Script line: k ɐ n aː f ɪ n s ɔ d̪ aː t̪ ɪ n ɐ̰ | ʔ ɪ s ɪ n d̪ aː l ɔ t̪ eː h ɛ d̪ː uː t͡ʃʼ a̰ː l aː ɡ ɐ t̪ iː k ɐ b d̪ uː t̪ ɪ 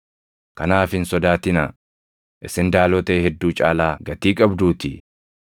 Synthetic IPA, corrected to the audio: k ɐ n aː f ɪ n s ɔ d̪ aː t̪ ɪ n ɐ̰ | ʔ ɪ s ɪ n d̪ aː l ɔ t̪ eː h ɛ d̪ː uː t͡ʃʼ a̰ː l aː ɡ ɐ t̪ iː kʼ ɐ b d̪ uː t̪ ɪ

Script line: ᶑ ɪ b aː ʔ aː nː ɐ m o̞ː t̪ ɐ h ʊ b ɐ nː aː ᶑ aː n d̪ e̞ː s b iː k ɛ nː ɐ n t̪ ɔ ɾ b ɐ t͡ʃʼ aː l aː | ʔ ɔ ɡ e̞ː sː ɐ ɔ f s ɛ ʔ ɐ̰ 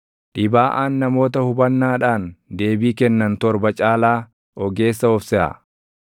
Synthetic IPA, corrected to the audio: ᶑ ɪ b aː ʔ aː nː ɐ m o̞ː t̪ ɐ h ʊ b ɐ nː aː ᶑ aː n d̪ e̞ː b iː k ɛ nː ɐ n t̪ ɔ ɾ b ɐ t͡ʃʼ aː l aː | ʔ ɔ ɡ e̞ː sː ɐ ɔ f s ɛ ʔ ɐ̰

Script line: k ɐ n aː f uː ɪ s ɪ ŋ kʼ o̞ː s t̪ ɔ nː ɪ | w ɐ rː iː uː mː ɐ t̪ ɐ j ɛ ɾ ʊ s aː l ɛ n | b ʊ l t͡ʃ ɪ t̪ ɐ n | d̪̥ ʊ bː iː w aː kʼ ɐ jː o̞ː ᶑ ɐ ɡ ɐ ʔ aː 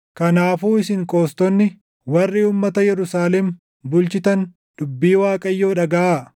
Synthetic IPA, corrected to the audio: k ɐ n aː f uː ɪ s ɪ ŋ kʼ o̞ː s t̪ ɔ nː ɪ | w ɐ rː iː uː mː ɐ t̪ ɐ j ɛ ɾ ʊ s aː l ɛ m | b ʊ l t͡ʃ ɪ t̪ ɐ n | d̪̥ ʊ bː iː w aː kʼ ɐ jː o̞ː ᶑ ɐ ɡ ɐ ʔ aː

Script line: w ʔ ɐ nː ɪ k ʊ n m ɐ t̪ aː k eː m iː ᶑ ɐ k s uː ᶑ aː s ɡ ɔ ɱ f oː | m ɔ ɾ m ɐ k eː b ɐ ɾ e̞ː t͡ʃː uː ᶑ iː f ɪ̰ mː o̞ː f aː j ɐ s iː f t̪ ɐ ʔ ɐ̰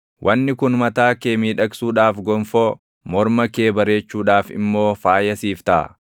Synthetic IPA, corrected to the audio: w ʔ ɐ nː ɪ k ʊ n m ɐ t̪ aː k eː m iː ᶑ ɐ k s uː ᶑ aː f ɡ ɔ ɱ f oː | m ɔ ɾ m ɐ k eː b ɐ ɾ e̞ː t͡ʃː uː ᶑ aː f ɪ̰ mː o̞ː f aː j ɐ s iː f t̪ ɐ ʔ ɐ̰

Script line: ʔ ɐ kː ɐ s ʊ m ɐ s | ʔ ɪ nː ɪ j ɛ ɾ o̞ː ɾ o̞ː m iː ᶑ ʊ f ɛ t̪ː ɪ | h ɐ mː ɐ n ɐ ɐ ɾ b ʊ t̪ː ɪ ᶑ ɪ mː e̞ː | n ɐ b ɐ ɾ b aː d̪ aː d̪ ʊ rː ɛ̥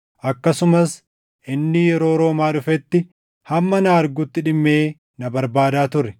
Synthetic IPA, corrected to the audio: ʔ ɐ kː ɐ s ʊ m ɐ s | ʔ ɪ nː ɪ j ɛ ɾ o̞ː ɾ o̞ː m aː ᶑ ʊ f ɛ t̪ː ɪ | h ɐ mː ɐ n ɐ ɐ ɾ ɡ ʊ t̪ː ɪ ᶑ ɪ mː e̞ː | n ɐ b ɐ ɾ b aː d̪ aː t̪ ʊ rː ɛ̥

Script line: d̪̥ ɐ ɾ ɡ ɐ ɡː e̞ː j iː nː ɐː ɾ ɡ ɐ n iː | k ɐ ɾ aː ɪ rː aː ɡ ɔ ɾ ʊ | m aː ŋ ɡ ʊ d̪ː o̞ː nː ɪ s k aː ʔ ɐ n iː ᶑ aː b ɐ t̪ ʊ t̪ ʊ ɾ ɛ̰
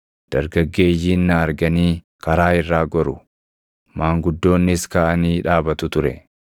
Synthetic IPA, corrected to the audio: d̪̥ ɐ ɾ ɡ ɐ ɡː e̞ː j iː nː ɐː ɾ ɡ ɐ n iː | k ɐ ɾ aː ɪ rː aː ɡ ɔ ɾ ʊ | m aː ŋ ɡ ʊ d̪ː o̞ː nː ɪ s k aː ʔ ɐ n iː ᶑ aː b ɐ t̪ ʊ t̪ ʊ ɾ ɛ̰

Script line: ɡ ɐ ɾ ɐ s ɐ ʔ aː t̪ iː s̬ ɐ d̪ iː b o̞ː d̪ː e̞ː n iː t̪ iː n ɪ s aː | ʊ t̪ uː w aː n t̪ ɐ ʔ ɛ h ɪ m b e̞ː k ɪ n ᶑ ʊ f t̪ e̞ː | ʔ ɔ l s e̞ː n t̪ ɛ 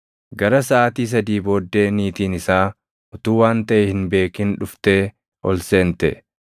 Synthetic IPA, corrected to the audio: ɡ ɐ ɾ ɐ s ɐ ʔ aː t̪ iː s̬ ɐ d̪ iː b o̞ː d̪ː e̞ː n iː t̪ iː n ɪ s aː | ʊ t̪ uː w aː n t̪ ɐ ʔ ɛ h ɪ n b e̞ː k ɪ n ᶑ ʊ f t̪ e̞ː | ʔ ɔ l s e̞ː n t̪ ɛ

